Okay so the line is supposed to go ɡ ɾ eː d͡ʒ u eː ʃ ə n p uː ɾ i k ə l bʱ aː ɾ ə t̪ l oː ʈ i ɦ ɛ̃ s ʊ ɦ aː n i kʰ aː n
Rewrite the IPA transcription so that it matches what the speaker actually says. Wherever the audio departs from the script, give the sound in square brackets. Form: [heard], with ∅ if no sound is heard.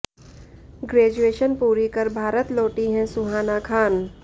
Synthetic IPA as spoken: ɡ ɾ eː d͡ʒ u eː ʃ ə n p uː ɾ i k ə [ɾ] bʱ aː ɾ ə t̪ l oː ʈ i ɦ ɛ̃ s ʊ ɦ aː n [a] kʰ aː n